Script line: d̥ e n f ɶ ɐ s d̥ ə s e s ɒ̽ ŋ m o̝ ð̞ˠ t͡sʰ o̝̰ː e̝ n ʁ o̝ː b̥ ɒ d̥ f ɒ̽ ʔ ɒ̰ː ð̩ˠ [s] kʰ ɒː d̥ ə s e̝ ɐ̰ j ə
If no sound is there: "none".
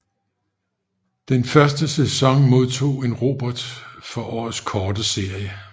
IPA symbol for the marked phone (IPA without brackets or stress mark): s